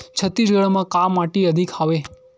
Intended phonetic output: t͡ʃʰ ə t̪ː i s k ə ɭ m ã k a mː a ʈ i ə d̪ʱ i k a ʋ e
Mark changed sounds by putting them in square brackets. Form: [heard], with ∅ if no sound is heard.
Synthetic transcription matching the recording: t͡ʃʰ ə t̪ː i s [ɡ] ə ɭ m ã k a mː a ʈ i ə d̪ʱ i k a ʋ e